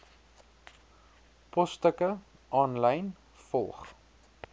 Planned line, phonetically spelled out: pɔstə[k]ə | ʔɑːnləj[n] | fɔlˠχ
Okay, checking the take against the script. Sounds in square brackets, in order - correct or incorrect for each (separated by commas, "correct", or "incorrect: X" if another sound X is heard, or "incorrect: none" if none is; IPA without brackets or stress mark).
correct, correct